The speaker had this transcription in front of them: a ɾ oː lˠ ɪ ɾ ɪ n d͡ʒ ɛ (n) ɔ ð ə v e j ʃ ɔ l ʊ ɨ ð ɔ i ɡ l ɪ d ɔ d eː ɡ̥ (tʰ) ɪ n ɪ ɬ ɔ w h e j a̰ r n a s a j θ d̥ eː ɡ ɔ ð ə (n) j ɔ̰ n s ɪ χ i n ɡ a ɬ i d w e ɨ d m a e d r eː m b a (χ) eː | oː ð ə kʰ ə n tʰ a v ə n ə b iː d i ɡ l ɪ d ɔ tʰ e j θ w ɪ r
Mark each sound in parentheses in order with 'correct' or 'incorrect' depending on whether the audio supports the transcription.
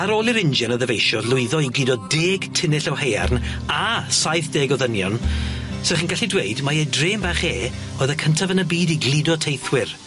correct, correct, correct, correct

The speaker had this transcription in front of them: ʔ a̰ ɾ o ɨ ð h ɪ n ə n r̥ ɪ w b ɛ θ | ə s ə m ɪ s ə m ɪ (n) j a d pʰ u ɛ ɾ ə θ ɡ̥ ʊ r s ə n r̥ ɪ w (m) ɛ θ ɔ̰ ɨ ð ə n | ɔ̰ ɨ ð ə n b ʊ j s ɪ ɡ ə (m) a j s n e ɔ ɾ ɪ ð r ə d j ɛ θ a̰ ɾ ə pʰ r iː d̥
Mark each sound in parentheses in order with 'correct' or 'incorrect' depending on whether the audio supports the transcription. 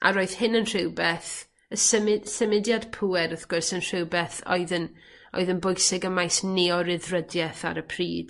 incorrect: d, incorrect: b, correct

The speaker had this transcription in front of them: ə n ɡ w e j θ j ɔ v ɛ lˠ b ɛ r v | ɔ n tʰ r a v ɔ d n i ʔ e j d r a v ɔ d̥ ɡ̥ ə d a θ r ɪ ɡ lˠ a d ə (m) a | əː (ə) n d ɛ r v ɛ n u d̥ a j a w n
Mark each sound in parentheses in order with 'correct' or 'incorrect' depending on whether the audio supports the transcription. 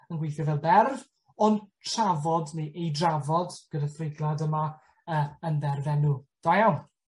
correct, correct

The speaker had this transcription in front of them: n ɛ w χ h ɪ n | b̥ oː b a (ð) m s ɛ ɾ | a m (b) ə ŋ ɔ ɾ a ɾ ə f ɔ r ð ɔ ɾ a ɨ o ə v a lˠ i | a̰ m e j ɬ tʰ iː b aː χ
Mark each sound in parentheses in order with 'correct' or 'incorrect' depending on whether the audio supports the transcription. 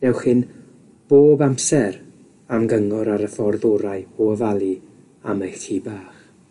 incorrect: none, incorrect: ɡ

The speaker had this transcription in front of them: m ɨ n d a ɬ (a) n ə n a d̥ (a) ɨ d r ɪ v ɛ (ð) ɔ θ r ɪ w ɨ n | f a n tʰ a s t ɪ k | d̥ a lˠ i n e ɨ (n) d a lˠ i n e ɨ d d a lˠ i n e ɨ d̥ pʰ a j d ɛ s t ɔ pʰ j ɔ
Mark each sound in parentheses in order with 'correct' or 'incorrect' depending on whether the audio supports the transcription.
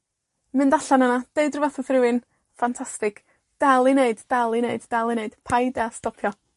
correct, incorrect: e, incorrect: θ, incorrect: d

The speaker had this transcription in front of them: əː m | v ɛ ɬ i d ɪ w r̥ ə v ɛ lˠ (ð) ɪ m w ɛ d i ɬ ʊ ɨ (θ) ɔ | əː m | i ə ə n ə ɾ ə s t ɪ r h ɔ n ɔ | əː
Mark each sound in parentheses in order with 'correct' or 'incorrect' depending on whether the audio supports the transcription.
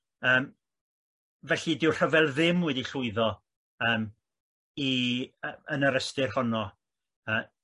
correct, incorrect: ð

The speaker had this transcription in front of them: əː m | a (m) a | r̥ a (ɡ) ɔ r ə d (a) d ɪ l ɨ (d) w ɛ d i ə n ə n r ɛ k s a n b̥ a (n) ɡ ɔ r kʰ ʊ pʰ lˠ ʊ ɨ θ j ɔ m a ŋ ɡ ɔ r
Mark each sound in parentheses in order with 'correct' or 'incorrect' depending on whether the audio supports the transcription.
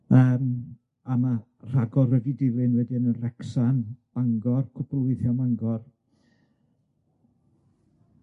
correct, correct, incorrect: i, incorrect: n, incorrect: ŋ

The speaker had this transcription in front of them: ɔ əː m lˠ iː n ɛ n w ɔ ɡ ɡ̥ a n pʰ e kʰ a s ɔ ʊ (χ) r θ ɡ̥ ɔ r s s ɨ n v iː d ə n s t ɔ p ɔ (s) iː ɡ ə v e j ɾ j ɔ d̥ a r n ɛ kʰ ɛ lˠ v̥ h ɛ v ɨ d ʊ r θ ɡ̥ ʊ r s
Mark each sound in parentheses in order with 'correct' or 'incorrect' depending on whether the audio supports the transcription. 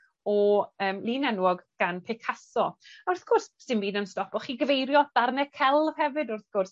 incorrect: none, incorrect: χ

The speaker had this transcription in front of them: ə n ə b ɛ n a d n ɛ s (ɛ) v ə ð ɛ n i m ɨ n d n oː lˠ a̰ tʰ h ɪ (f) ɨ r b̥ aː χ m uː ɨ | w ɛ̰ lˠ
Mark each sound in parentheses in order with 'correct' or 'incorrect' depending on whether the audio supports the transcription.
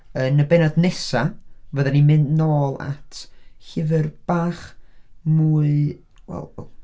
incorrect: a, incorrect: v

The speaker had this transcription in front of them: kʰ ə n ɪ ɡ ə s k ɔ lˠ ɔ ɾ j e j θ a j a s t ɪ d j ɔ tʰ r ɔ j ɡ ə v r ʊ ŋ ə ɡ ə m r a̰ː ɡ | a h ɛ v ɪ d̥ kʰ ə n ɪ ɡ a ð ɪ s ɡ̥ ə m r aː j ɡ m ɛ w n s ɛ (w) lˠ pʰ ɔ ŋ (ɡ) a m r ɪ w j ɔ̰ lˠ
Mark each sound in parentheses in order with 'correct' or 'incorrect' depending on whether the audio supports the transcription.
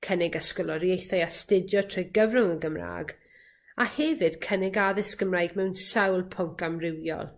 correct, incorrect: k

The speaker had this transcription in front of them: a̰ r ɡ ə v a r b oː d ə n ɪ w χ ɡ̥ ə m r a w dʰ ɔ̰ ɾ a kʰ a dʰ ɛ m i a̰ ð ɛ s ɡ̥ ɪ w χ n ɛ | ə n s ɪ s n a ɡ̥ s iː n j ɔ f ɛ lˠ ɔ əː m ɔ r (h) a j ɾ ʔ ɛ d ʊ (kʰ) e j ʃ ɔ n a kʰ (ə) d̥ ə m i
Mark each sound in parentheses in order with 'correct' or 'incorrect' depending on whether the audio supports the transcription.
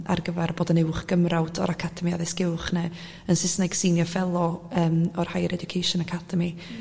correct, correct, incorrect: a

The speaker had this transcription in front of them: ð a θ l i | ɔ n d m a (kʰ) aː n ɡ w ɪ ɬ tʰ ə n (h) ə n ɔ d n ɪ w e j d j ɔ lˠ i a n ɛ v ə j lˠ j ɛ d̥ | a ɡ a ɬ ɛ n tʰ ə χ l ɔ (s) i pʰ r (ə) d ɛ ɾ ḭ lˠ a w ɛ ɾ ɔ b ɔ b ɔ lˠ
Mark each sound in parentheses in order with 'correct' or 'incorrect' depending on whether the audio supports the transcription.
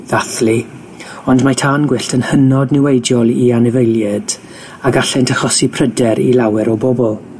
incorrect: tʰ, correct, correct, correct

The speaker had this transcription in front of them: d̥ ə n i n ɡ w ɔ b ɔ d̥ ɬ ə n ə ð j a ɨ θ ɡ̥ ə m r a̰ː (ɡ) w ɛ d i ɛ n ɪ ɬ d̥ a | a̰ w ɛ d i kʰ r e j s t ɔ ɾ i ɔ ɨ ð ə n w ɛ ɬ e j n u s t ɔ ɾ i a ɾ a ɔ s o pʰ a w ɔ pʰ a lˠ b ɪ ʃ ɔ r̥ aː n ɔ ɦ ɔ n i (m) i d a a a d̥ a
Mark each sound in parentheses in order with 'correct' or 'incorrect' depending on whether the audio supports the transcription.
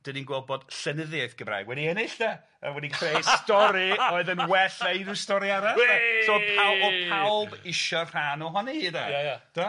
correct, incorrect: none

